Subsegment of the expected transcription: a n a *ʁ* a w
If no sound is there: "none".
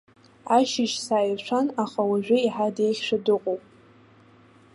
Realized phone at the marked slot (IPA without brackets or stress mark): χ